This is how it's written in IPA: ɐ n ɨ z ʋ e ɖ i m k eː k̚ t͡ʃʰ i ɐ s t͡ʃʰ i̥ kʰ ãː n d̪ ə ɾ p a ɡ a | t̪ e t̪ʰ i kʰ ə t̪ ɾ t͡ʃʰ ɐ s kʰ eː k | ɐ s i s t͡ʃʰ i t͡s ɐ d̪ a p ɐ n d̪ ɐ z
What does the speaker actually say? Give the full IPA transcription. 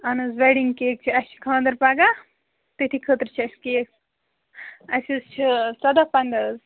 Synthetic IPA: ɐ n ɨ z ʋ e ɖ i ŋ k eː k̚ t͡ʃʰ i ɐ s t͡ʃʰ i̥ kʰ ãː n d̪ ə ɾ p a ɡ a | t̪ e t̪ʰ i kʰ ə t̪ ɾ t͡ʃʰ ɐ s k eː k | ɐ s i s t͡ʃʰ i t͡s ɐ d̪ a p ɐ n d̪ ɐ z

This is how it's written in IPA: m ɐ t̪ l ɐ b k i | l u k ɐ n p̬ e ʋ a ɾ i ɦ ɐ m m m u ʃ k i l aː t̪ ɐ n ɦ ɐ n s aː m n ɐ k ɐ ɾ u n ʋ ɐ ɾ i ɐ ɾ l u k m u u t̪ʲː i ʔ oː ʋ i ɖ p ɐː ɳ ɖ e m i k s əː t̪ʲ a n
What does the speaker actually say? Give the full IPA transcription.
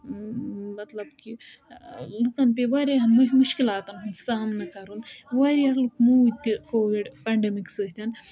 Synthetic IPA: m ɐ t̪ l ɐ b k i | l u k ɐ n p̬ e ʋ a ɾ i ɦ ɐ n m m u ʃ k i l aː t̪ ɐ n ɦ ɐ n s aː m n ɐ k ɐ ɾ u n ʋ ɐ ɾ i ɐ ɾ l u k m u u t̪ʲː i k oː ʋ i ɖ p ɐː ɳ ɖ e m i k s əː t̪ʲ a n

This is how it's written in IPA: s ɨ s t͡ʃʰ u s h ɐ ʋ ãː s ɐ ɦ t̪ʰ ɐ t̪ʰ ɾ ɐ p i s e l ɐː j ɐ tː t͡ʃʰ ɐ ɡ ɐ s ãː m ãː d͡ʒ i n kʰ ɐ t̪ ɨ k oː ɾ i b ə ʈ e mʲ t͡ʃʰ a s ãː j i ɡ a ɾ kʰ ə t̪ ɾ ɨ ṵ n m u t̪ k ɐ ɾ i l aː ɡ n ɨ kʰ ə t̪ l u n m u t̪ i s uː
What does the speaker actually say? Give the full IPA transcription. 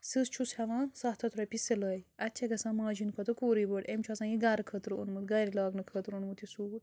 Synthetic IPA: s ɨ s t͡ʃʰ u s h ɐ ʋ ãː s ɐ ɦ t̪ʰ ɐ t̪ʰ ɾ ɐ p i s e l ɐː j ɐ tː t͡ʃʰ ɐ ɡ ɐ s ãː m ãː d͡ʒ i n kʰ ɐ t̪ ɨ k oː ɾ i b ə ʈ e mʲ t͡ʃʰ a s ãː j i ɡ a ɾ kʰ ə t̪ ɾ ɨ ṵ n m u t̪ ɡ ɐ ɾ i l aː ɡ n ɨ kʰ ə t̪ ɾ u n m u t̪ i s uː

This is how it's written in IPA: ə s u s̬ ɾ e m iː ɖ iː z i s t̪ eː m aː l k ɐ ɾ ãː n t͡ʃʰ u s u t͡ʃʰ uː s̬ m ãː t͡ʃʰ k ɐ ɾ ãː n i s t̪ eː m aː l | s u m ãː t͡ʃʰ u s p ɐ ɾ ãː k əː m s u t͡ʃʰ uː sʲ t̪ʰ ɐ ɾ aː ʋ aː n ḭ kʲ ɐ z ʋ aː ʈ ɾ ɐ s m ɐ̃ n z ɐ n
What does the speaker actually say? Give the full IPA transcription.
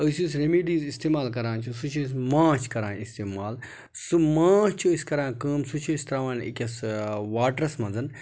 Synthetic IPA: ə s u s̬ ɾ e m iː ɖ iː z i s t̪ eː m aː l k ɐ ɾ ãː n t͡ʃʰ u s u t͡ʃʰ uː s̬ m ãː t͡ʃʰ k ɐ ɾ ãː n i s t̪ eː m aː l | s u m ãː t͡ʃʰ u s k ɐ ɾ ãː k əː m s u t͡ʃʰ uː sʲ t̪ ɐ ɾ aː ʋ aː n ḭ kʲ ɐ s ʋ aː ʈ ɾ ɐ s m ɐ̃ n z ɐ n

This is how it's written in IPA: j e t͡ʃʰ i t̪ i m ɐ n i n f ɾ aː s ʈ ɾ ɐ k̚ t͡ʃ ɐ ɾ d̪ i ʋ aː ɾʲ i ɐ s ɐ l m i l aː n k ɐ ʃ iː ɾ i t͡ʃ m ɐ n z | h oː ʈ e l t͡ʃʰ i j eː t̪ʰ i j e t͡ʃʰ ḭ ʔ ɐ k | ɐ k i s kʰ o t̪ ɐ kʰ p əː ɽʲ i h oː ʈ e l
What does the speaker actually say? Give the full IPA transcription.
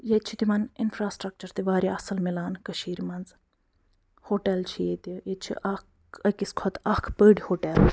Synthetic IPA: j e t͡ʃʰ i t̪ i m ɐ n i n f ɾ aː s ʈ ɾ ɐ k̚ t͡ʃ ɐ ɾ t̪ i ʋ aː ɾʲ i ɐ s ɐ l m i l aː n k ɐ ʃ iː ɾ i m ɐ n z | h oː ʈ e l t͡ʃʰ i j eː t̪ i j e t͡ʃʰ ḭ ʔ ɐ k | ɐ k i s kʰ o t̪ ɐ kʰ p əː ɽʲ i h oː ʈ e l

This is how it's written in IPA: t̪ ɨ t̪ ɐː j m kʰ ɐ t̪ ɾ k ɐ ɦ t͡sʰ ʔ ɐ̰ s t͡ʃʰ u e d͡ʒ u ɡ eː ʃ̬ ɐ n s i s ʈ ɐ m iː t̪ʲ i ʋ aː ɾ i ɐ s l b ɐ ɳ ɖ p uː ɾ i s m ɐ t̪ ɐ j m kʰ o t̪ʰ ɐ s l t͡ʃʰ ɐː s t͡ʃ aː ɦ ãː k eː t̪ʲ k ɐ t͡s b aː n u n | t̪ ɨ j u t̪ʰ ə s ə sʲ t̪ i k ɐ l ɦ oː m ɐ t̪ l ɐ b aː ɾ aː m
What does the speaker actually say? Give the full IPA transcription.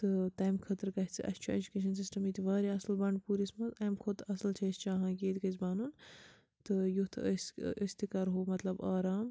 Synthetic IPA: t̪ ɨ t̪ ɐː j m kʰ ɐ t̪ ɾ k ɐ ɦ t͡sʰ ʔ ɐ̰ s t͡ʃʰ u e d͡ʒ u k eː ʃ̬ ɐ n s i s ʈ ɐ m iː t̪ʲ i ʋ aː ɾ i ɐ s l b ɐ ɳ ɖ p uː ɾ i s m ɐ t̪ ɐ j m kʰ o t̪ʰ ɐ s l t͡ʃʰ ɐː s t͡ʃ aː ɦ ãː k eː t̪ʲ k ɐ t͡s b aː n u n | t̪ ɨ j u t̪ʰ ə s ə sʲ t̪ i k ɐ ɾ ɦ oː m ɐ t̪ l ɐ b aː ɾ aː m

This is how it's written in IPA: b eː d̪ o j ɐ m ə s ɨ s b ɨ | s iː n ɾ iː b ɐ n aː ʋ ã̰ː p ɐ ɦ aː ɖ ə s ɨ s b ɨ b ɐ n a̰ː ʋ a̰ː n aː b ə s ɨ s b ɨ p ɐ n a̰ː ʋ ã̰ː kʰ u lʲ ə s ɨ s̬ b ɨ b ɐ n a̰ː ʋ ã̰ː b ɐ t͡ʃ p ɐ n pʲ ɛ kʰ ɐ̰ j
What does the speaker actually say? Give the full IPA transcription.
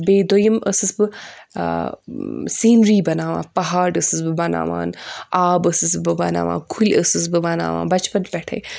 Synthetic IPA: b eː d̪ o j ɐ m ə s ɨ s b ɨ | s iː n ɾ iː b ɐ n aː ʋ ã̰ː p ɐ ɦ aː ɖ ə s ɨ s b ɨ b ɐ n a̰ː ʋ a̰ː n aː b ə s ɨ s b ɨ b ɐ n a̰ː ʋ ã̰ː kʰ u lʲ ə s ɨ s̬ b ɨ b ɐ n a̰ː ʋ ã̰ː b ɐ t͡ʃ p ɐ n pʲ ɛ ʈʰ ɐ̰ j

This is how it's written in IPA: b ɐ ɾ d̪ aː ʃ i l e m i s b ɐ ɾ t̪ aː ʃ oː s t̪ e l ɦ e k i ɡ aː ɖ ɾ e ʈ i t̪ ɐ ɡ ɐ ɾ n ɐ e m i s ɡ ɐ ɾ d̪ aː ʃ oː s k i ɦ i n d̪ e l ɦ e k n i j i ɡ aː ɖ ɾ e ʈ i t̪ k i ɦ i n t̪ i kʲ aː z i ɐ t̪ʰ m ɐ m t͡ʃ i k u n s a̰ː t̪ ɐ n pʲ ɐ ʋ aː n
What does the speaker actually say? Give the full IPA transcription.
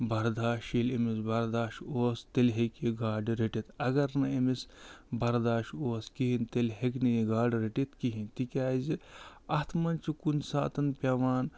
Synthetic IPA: b ɐ ɾ d̪ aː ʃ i l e m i s b ɐ ɾ d̪ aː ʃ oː s t̪ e l ɦ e k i ɡ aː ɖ ɾ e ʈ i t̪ ɐ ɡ ɐ ɾ n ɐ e m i s b ɐ ɾ d̪ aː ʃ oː s k i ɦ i n t̪ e l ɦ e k n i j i ɡ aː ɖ ɾ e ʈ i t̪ k i ɦ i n t̪ i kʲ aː z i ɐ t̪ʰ m ɐ n t͡ʃ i k u n s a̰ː t̪ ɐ n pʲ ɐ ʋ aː n

